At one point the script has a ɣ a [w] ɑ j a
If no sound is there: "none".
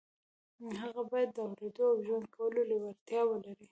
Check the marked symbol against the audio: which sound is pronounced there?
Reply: b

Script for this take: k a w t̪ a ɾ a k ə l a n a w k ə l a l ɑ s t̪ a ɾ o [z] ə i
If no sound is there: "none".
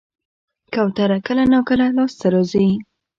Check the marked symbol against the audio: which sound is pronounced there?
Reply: z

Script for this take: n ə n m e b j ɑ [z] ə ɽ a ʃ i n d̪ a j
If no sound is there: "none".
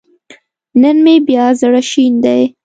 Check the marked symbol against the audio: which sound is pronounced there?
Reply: z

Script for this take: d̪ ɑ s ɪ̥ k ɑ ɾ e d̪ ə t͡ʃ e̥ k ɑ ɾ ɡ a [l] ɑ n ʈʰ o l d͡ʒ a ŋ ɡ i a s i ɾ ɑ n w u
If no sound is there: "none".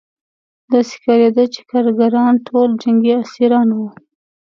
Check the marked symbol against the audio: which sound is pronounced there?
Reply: ɾ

